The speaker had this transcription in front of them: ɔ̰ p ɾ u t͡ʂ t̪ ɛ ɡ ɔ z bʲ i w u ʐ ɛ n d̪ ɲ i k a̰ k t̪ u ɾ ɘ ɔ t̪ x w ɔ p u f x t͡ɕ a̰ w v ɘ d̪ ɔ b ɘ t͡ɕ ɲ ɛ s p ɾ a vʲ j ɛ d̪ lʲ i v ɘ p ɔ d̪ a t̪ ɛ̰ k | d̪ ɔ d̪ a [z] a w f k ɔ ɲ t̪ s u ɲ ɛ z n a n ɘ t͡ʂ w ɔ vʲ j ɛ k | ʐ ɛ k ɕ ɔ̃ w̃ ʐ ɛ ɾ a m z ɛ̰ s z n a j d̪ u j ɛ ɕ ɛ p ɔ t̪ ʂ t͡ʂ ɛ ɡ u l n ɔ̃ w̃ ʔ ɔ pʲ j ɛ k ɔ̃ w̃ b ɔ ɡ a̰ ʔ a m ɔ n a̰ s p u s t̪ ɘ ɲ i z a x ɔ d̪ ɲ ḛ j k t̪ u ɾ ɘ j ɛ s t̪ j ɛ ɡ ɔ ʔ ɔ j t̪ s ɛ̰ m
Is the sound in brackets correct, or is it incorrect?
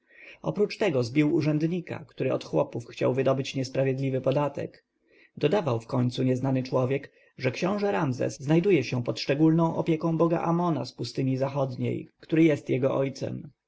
incorrect: v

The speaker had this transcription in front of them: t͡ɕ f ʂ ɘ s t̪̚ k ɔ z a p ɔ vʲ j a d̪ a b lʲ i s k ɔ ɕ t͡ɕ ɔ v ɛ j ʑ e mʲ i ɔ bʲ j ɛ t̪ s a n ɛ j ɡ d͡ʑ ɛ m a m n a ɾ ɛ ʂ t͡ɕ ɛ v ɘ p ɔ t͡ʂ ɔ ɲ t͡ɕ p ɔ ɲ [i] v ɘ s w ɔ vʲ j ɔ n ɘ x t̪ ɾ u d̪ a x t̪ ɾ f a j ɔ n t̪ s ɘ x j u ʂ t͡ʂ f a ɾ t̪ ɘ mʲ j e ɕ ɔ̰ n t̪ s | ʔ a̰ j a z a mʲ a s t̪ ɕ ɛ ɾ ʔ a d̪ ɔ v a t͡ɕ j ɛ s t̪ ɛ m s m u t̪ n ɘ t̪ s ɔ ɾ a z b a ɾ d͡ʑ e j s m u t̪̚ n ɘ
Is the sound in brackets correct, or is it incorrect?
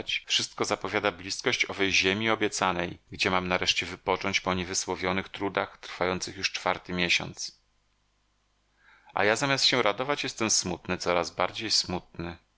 incorrect: ɛ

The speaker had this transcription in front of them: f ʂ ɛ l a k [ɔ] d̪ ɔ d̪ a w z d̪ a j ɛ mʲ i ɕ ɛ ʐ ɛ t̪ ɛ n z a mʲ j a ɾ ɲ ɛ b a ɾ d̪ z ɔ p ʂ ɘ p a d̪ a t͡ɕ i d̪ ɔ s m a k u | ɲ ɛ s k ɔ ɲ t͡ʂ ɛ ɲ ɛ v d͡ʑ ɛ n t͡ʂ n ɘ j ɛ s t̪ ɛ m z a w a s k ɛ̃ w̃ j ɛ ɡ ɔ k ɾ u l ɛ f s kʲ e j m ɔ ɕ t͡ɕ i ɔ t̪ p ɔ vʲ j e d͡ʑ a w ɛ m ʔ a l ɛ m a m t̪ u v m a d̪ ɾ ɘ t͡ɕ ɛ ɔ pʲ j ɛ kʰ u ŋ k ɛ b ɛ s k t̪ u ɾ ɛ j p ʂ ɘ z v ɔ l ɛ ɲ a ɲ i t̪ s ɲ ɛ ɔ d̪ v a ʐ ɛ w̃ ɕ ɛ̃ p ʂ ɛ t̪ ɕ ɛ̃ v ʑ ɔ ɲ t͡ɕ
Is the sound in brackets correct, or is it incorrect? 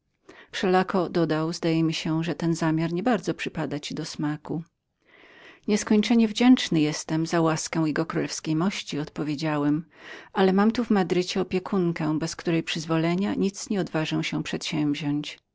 correct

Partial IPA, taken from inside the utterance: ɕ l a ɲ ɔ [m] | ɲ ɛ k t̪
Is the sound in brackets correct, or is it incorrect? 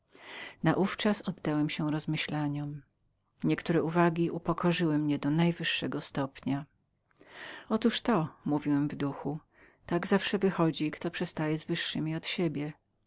correct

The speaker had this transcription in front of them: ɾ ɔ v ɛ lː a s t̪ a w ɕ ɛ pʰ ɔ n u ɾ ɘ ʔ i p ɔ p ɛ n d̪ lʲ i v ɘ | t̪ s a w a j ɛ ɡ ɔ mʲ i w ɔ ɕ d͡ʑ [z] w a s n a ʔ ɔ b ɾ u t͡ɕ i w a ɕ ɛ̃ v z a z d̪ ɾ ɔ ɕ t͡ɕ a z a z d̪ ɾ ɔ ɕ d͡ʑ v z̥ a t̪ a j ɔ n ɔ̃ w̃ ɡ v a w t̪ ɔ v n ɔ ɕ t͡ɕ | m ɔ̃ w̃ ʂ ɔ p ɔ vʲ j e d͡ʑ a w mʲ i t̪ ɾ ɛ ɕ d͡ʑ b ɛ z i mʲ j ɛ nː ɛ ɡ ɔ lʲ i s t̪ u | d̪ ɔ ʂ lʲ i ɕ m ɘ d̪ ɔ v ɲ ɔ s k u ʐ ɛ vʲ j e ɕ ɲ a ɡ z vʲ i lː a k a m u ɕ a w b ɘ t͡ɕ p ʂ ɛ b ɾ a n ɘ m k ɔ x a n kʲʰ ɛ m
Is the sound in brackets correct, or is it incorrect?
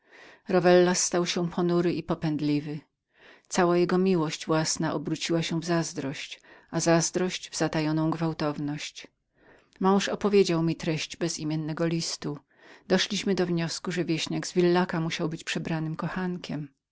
incorrect: v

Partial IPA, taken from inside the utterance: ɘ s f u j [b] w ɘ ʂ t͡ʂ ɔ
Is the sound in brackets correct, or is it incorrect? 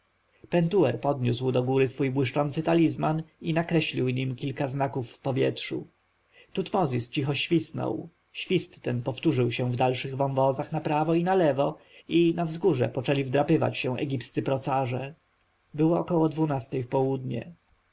correct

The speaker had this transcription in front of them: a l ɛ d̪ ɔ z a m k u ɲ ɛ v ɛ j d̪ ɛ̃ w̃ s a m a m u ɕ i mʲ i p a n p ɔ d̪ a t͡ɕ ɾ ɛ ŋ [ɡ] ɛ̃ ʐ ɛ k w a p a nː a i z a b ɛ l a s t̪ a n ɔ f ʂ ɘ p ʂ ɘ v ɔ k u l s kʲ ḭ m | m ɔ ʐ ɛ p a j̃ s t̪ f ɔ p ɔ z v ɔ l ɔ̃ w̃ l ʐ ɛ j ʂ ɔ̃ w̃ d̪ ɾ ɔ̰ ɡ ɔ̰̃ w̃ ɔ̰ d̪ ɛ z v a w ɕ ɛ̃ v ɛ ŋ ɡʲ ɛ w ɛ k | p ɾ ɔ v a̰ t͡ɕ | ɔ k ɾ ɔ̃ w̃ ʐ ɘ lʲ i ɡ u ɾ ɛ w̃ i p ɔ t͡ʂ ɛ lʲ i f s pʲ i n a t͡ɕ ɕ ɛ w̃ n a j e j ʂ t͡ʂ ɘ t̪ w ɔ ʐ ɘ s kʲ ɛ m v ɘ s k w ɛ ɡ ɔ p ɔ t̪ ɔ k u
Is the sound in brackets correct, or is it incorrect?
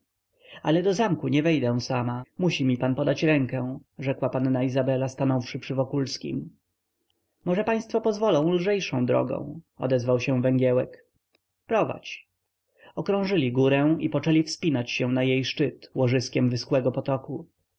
incorrect: k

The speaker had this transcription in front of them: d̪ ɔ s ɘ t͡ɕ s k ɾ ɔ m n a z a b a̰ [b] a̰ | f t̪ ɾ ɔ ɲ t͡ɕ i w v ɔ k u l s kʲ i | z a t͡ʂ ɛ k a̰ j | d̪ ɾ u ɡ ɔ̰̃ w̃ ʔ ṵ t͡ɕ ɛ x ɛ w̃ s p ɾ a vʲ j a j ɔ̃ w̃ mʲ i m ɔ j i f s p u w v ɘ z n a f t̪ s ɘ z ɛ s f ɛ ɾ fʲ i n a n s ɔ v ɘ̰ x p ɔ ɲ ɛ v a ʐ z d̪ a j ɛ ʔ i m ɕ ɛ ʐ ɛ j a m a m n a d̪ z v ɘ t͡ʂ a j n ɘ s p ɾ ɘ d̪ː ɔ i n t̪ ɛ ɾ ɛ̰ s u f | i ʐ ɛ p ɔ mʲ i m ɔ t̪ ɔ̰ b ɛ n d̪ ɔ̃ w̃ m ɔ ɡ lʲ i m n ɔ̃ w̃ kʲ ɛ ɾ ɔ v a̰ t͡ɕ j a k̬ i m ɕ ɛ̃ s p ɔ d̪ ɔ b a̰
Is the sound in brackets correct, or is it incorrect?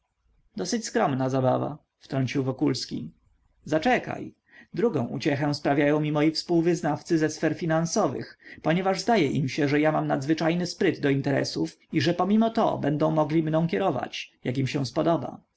incorrect: v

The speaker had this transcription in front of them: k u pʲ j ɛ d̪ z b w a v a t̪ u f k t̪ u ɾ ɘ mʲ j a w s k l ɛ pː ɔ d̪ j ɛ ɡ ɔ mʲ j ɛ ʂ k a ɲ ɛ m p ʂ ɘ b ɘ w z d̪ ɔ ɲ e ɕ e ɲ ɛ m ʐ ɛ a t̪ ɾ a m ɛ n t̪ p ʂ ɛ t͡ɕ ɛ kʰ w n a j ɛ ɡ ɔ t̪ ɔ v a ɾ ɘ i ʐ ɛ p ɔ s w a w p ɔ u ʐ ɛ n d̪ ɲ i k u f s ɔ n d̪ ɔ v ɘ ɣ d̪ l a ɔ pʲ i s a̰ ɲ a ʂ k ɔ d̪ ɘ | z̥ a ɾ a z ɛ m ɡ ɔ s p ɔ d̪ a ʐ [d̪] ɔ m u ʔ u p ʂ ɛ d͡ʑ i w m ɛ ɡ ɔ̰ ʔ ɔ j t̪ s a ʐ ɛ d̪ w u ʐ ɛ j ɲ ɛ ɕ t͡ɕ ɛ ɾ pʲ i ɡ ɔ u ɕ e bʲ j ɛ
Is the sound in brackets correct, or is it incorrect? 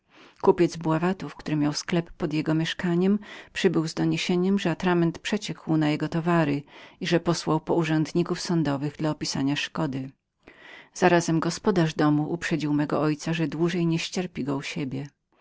correct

